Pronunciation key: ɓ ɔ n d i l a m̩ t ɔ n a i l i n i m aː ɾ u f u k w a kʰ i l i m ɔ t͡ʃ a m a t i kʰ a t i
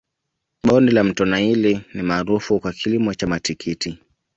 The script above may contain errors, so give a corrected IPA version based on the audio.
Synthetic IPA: ɓ ɔ n d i l a m̩ t ɔ n a i l i n i m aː ɾ u f u k w a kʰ i l i m ɔ t͡ʃ a m a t i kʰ i t i